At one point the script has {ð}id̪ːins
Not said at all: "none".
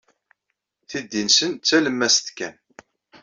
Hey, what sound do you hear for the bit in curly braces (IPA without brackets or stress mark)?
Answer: θ